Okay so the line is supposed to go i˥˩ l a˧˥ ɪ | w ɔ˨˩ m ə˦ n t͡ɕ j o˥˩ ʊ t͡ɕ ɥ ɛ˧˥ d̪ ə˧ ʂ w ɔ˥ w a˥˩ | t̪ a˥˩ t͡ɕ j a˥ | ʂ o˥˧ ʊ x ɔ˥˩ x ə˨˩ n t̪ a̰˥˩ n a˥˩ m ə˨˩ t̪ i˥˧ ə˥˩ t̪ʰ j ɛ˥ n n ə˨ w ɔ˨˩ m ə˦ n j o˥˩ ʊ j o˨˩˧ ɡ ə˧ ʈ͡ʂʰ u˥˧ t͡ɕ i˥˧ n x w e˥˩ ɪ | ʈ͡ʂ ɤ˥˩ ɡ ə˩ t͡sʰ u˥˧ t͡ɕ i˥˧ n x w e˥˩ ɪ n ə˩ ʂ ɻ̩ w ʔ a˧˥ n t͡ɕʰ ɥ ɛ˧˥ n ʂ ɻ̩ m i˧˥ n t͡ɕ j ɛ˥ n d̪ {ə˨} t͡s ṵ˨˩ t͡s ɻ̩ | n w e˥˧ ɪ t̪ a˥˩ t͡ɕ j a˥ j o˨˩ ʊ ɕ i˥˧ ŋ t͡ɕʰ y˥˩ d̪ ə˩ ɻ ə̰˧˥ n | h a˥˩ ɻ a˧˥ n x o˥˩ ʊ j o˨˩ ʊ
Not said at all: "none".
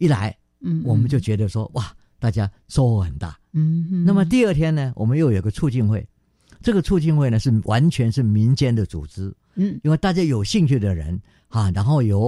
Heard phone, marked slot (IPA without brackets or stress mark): ə˨